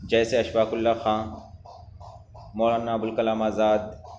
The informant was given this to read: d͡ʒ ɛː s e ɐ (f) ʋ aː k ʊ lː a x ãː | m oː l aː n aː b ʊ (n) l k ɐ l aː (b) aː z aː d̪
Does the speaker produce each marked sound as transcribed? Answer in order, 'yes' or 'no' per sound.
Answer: no, no, no

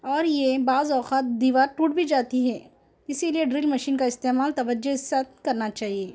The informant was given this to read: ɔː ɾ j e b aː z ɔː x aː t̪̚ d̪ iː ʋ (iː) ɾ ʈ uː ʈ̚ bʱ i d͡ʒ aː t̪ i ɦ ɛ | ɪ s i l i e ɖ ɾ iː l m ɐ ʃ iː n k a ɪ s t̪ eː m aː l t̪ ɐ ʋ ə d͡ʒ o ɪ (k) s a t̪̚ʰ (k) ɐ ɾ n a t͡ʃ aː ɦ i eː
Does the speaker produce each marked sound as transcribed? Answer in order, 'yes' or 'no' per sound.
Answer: no, no, yes

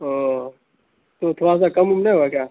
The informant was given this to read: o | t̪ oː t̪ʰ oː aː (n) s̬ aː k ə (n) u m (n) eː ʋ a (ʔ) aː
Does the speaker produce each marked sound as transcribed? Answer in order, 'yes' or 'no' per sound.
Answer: no, no, yes, no

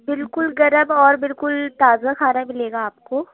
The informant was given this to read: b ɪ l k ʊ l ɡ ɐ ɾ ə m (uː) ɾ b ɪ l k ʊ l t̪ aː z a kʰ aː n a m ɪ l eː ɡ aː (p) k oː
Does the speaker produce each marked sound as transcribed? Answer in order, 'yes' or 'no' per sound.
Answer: no, yes

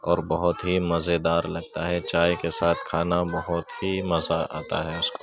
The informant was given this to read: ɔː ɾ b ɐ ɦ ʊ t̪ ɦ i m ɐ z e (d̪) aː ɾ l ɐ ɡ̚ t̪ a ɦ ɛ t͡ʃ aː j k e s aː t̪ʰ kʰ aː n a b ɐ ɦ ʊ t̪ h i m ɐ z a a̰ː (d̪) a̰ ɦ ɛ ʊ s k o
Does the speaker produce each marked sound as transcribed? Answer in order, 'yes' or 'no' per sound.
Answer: yes, no

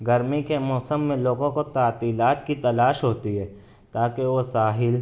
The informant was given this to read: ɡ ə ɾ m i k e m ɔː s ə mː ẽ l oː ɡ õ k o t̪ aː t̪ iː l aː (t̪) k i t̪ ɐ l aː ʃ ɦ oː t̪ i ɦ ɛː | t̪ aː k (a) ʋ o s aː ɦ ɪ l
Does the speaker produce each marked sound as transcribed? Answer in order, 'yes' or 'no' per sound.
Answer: yes, no

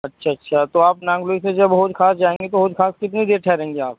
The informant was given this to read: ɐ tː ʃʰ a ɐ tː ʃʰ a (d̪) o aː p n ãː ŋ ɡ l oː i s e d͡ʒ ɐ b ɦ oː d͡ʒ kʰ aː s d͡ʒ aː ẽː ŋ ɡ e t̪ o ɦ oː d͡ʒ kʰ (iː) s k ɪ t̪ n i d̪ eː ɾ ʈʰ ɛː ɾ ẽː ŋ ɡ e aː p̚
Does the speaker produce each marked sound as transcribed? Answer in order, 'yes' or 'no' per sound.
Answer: no, no

